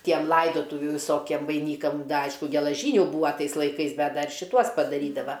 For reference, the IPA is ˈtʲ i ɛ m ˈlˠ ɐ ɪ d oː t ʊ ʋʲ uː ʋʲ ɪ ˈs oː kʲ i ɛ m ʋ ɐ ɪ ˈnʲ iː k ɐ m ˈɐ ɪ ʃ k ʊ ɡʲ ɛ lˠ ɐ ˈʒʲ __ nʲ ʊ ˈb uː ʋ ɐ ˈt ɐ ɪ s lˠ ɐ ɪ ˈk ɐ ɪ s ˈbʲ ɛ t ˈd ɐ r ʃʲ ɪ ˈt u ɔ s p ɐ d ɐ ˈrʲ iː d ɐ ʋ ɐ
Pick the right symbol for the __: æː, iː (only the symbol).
iː